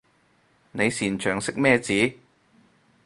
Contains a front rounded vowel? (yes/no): yes